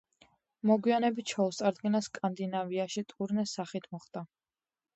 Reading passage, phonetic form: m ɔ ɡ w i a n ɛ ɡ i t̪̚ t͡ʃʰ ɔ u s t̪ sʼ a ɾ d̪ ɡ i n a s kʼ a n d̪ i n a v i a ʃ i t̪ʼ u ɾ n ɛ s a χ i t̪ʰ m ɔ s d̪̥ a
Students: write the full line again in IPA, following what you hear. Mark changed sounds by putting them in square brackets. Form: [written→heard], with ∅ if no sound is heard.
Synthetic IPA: m ɔ ɡ w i a n ɛ [ɡ→b] i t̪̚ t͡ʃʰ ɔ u s t̪ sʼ a ɾ d̪ ɡ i n a s kʼ a n d̪ i n a v i a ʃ i t̪ʼ u ɾ n ɛ s a χ i t̪ʰ m ɔ [s→χ] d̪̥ a

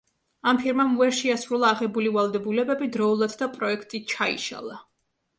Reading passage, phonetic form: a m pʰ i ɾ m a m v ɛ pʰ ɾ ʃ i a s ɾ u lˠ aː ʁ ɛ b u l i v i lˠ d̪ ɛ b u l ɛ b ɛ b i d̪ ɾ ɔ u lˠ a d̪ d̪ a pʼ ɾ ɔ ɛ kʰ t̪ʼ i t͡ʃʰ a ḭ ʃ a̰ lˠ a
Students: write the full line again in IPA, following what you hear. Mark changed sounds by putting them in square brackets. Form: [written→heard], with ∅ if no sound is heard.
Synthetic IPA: a m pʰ i ɾ m a m v ɛ [pʰ→∅] ɾ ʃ i a s ɾ u lˠ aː ʁ ɛ b u l i v [i→a] lˠ d̪ ɛ b u l ɛ b ɛ b i d̪ ɾ ɔ u lˠ a d̪ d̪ a pʼ ɾ ɔ ɛ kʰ t̪ʼ i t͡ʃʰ a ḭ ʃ a̰ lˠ a

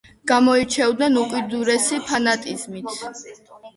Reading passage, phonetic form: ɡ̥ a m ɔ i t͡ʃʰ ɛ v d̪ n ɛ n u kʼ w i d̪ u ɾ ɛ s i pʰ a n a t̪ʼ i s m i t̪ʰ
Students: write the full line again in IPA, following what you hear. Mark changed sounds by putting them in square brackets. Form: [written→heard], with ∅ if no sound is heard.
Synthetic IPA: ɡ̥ a m ɔ i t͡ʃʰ ɛ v d̪ n ɛ n u kʼ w i d̪ u ɾ ɛ s i pʰ a n a t̪ʼ i [s→z] m i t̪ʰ

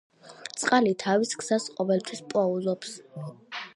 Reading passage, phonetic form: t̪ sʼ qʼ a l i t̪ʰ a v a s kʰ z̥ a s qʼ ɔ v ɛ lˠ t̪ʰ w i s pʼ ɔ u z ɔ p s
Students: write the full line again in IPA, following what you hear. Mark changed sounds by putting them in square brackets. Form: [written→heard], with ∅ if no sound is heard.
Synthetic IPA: t̪ sʼ qʼ a l i t̪ʰ a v [a→i] s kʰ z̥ a s qʼ ɔ v ɛ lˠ t̪ʰ w i s pʼ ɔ u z ɔ p s

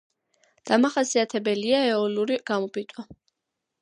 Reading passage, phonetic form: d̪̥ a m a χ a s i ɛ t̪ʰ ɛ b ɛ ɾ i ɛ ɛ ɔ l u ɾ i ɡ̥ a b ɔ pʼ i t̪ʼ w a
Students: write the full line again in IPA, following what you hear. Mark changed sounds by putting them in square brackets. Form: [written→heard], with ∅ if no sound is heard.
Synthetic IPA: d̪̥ a m a χ a s i [ɛ→a] t̪ʰ ɛ b ɛ [ɾ→l] i [ɛ→a] ɛ ɔ l u ɾ i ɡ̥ a [b→m] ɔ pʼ i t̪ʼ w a

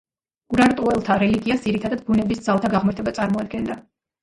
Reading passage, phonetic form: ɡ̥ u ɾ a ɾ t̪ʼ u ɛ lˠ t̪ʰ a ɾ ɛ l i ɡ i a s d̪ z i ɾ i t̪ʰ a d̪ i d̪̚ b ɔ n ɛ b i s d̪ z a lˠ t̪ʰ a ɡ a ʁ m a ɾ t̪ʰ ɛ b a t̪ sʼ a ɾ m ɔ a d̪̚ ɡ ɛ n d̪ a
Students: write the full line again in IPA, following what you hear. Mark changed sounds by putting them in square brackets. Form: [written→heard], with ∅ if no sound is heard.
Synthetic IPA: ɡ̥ u ɾ a ɾ t̪ʼ u ɛ lˠ t̪ʰ a ɾ ɛ l i ɡ i a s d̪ z i ɾ i t̪ʰ a d̪ [i→a] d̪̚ b [ɔ→u] n ɛ b i s d̪ z a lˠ t̪ʰ a ɡ a ʁ m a ɾ t̪ʰ ɛ b a t̪ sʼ a ɾ m ɔ a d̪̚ ɡ ɛ n d̪ a

